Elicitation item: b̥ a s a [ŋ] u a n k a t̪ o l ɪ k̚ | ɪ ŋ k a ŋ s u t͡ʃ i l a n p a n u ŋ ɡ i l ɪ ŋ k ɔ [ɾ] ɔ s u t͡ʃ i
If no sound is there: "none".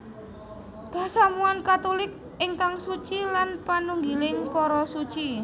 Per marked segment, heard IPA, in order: m, ɾ

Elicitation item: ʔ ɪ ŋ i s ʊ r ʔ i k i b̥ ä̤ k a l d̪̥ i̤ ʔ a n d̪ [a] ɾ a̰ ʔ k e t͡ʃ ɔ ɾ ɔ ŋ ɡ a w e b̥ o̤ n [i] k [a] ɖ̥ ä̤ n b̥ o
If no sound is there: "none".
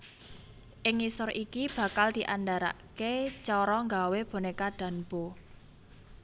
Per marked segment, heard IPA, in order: a, e, a

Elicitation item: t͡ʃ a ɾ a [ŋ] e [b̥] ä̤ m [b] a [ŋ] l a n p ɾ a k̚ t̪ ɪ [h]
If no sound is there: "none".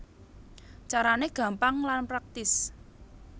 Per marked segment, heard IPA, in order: n, ɡ̥, p, ŋ, s

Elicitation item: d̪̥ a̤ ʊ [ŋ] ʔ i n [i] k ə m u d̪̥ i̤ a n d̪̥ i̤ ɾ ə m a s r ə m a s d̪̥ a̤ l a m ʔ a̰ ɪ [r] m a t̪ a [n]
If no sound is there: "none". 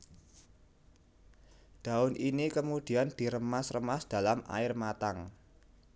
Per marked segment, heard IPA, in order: n, i, r, ŋ

